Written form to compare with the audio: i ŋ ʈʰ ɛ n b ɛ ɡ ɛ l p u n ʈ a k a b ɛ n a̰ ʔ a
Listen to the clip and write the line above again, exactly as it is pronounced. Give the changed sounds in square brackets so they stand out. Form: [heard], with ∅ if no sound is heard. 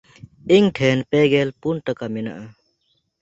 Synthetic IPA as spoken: i ŋ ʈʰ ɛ n [p] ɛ ɡ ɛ l p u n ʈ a k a [m] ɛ n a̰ ʔ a